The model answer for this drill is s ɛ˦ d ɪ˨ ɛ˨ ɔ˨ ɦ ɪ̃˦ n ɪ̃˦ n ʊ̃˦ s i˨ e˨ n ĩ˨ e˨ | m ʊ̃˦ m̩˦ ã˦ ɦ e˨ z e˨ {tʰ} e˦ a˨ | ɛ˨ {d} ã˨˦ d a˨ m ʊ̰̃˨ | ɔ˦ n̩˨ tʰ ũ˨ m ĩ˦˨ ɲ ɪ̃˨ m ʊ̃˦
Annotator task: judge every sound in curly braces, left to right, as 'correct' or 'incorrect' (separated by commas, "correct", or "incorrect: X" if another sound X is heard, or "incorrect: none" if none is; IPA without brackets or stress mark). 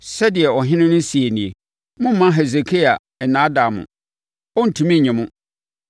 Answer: incorrect: kʰ, incorrect: n